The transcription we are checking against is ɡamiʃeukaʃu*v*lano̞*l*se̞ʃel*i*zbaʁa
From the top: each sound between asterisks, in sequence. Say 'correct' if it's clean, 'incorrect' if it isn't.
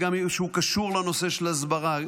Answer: incorrect: ʁ, incorrect: none, incorrect: a

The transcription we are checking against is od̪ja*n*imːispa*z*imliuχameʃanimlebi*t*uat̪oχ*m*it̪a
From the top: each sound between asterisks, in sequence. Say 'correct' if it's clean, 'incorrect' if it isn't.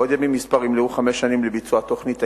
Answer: incorrect: m, incorrect: ʁ, incorrect: t͡s, incorrect: n

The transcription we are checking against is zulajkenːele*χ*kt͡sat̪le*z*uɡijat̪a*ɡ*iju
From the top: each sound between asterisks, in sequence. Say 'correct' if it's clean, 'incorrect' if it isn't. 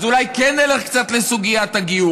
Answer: correct, incorrect: s, correct

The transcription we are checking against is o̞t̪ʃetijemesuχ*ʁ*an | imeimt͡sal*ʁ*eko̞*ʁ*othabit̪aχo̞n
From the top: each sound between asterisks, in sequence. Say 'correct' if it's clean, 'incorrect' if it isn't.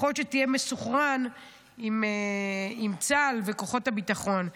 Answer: correct, incorrect: v, incorrect: χ

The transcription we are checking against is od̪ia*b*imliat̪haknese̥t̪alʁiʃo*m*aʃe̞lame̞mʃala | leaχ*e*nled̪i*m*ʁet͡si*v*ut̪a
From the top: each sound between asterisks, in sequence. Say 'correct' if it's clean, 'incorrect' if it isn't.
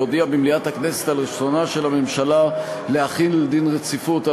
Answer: correct, incorrect: n, incorrect: i, incorrect: n, incorrect: f

